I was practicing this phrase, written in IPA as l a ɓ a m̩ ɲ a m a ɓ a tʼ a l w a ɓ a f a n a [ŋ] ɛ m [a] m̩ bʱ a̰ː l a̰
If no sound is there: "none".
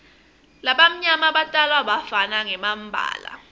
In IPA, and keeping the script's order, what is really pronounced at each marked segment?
ŋ, a

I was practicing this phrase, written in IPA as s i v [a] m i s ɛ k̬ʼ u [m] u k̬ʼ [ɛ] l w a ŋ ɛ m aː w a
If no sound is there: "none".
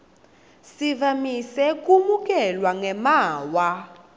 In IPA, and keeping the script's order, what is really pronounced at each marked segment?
a, m, ɛ

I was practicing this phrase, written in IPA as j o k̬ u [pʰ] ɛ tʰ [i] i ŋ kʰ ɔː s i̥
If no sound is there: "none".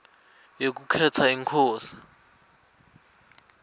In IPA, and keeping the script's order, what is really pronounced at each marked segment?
kʰ, a

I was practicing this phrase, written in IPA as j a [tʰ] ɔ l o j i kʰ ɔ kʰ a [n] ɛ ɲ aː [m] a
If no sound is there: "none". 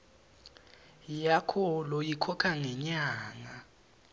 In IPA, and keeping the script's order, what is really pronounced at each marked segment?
kʰ, ŋ, ŋ

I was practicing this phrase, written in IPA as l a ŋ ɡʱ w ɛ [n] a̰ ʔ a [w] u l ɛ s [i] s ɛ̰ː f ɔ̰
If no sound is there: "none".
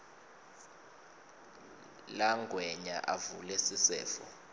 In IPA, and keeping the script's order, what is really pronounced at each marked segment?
ɲ, v, i

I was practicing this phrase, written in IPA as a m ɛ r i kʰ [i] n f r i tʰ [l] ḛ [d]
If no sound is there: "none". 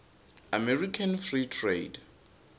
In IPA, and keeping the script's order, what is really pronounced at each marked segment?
a, r, d

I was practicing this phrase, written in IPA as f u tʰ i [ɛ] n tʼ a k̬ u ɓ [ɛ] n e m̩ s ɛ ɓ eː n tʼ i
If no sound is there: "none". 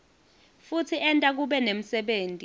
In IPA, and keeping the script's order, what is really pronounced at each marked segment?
ɛ, ɛ

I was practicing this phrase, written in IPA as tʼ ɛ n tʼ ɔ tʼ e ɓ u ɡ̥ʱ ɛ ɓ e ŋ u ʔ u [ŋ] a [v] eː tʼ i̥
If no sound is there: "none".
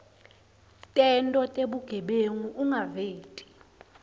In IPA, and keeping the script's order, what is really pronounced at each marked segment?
ŋ, v

